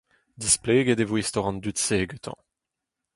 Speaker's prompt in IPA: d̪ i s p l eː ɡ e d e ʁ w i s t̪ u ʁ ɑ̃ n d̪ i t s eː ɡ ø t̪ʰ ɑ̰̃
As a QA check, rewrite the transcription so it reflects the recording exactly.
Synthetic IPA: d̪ i s p l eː ɡ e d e v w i s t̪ ɔ ʁ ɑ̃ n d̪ y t s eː ɡ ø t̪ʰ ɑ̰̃